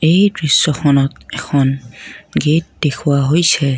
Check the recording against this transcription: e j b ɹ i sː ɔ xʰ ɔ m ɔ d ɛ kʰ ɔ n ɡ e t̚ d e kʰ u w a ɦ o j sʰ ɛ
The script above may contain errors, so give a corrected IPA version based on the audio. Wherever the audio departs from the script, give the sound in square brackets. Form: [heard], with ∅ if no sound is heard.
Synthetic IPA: e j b ɹ i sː ɔ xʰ ɔ [n] ɔ [t] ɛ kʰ ɔ n ɡ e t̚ d e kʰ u w a ɦ o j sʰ ɛ